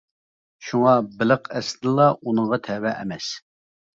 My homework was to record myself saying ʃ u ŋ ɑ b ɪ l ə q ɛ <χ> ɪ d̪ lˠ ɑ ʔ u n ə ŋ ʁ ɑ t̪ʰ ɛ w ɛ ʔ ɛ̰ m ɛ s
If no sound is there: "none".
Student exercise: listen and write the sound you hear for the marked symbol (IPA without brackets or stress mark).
s